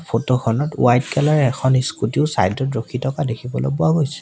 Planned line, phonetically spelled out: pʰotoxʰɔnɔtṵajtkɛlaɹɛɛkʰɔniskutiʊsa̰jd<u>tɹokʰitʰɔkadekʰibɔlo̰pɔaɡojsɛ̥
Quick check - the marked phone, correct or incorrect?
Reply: incorrect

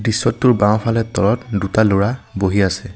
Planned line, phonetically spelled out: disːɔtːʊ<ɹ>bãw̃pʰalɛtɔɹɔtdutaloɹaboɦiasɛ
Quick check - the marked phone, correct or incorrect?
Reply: correct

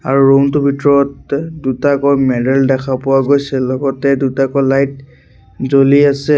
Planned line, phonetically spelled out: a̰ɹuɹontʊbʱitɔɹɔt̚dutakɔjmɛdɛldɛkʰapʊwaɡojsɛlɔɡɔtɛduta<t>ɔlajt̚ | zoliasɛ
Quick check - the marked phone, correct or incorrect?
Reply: incorrect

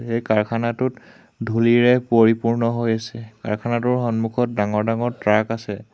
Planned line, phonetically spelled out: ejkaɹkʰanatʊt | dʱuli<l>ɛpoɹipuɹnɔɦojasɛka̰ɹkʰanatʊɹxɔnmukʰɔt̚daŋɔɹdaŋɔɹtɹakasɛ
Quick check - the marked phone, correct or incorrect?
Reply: incorrect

